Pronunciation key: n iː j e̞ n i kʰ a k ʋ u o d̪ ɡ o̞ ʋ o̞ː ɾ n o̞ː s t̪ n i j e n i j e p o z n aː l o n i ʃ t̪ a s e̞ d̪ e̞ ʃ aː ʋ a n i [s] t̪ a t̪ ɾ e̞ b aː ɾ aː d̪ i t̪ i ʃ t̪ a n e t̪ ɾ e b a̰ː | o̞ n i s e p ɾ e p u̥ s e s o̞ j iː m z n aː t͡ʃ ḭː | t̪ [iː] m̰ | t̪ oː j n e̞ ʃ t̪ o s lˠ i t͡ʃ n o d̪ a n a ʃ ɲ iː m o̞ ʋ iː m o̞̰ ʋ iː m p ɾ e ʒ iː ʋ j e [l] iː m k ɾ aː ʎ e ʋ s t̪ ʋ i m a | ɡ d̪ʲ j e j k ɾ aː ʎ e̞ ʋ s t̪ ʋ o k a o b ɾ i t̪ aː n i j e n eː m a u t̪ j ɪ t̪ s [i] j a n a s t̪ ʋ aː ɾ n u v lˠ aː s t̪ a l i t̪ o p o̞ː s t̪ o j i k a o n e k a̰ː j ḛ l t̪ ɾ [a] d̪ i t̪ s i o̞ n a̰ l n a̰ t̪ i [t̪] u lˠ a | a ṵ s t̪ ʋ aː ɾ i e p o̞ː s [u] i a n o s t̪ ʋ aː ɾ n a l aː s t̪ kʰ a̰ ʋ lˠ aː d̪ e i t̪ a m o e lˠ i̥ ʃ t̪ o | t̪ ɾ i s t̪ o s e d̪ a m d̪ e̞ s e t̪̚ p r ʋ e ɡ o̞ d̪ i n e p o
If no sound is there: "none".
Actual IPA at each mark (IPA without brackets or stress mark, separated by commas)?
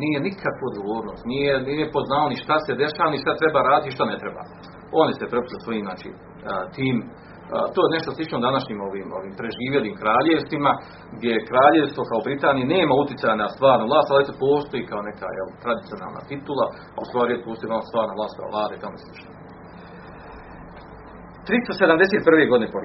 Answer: ʃ, iː, l, a, a, t̪, o